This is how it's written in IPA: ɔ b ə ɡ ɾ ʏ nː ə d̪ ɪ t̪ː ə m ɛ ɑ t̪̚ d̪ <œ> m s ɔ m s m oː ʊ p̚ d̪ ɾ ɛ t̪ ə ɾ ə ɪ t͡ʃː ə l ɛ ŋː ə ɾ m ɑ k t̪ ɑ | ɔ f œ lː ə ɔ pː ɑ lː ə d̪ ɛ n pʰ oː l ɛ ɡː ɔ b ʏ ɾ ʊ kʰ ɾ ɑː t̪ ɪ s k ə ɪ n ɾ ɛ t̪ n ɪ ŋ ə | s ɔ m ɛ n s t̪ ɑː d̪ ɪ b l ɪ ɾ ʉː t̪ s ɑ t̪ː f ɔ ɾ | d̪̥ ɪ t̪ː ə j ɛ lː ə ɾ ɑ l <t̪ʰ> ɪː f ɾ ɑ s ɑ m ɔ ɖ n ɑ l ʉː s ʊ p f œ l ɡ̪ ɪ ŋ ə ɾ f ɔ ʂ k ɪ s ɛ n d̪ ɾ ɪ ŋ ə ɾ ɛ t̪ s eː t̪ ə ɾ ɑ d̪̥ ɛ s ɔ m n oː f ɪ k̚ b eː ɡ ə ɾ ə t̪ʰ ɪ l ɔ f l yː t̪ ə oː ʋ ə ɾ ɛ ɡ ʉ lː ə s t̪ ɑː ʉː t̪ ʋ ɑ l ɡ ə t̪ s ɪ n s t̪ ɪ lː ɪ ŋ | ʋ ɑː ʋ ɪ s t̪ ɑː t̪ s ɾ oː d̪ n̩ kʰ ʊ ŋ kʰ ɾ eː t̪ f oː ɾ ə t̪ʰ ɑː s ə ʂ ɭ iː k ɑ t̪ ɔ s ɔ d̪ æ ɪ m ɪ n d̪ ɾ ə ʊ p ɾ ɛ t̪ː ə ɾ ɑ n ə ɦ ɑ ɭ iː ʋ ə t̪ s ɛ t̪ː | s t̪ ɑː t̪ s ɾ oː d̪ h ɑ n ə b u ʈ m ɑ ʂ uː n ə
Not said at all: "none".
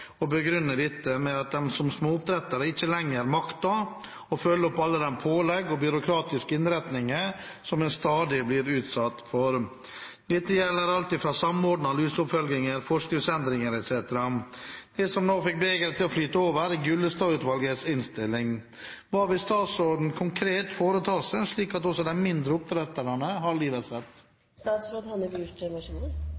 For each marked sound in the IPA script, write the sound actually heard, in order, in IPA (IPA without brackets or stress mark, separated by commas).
ɛ, t̪